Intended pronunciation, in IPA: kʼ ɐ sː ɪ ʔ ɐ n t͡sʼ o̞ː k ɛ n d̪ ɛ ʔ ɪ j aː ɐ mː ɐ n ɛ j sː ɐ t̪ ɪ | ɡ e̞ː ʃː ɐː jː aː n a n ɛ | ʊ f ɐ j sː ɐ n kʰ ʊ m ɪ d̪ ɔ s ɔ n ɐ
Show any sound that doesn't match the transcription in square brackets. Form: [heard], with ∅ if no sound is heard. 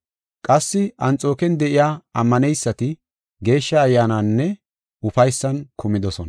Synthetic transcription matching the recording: kʼ ɐ sː ɪ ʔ ɐ n t͡sʼ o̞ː k ɛ n d̪ ɛ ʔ ɪ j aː ɐ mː ɐ n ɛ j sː ɐ t̪ ɪ | ɡ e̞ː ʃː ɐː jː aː n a [nː] ɛ | ʊ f ɐ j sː ɐ n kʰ ʊ m ɪ d̪ ɔ s ɔ n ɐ